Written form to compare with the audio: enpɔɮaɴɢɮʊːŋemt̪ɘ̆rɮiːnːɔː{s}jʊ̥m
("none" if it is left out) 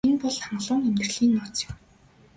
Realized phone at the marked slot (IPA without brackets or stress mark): t͡s